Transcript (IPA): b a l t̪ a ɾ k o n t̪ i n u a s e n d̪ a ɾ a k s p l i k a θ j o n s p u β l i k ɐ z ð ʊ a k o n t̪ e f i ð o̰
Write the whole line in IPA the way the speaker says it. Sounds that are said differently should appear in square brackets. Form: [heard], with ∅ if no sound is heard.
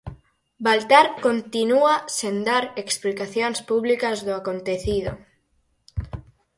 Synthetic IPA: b a l t̪ a ɾ k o n t̪ i n u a s e n d̪ a ɾ [e] k s p l i k a θ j o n s p u β l i k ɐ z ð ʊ a k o n t̪ e [θ] i ð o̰